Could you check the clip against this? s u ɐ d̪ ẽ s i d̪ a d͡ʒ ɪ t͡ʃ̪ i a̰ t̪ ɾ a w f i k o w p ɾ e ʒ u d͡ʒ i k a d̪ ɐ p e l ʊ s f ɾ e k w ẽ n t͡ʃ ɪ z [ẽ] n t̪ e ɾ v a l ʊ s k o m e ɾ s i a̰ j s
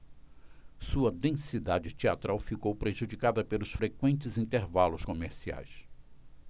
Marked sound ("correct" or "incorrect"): incorrect